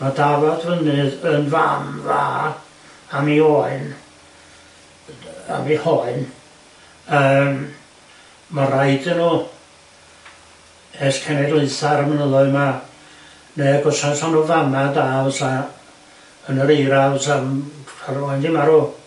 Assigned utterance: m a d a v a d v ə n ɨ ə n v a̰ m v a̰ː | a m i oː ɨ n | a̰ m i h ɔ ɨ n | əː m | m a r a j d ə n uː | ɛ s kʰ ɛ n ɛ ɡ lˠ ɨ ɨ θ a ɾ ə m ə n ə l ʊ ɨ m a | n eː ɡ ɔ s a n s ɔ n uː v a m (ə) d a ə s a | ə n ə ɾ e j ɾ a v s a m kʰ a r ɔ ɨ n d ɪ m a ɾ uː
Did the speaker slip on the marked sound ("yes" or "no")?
yes